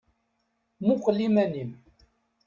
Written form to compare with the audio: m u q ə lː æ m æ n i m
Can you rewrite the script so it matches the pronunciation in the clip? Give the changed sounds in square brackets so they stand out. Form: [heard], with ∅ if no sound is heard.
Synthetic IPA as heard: m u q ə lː [i] m æ n i m

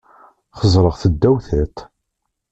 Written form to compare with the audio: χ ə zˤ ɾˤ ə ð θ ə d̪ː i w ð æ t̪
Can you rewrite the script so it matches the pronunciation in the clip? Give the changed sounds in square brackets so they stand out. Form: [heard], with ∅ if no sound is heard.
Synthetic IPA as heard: χ ə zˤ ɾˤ ə [ʁ] θ ə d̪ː [æ] w [θ] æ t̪

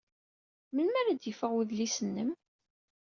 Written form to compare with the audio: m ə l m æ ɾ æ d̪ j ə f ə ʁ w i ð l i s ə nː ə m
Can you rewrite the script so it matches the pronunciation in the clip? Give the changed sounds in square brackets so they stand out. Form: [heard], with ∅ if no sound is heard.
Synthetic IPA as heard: m ə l m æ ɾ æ d̪ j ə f ə ʁ w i ð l i s ə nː ə m

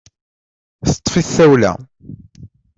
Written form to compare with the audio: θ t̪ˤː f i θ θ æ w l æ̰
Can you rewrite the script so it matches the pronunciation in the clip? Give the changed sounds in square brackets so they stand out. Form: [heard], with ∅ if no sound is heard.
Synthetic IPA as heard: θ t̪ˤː f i θ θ æ w l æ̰

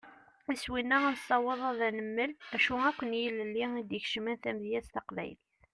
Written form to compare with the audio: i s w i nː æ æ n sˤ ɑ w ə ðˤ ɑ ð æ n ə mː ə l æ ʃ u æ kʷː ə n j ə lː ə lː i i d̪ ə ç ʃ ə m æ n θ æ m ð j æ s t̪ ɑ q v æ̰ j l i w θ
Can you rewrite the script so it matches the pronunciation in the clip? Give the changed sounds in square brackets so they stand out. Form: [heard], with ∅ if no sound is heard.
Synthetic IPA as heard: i s w i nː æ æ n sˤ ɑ w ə ðˤ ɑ ð æ n ə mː ə l æ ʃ u æ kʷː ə n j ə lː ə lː i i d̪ ə ç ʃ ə m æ n θ æ m ð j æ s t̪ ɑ q v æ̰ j l i [∅] θ

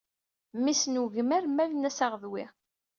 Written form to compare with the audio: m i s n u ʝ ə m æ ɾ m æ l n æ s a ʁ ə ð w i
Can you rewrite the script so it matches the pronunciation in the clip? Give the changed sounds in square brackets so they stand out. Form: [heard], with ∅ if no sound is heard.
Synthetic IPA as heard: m i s n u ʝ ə m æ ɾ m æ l n æ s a ʁ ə ð w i

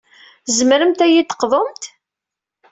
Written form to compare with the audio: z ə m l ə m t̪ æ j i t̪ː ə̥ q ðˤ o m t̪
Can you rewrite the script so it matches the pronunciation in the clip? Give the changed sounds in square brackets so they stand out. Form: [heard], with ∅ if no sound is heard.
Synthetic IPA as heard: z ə m [ɾ] ə m t̪ æ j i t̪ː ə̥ q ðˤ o m t̪

